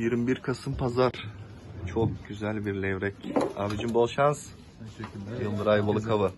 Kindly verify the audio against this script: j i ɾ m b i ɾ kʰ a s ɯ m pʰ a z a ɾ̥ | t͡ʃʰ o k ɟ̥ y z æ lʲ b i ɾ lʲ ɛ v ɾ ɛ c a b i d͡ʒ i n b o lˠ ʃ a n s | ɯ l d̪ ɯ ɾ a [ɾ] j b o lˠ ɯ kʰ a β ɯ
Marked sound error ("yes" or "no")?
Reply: yes